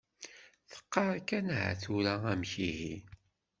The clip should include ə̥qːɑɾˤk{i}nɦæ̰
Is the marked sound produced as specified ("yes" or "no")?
no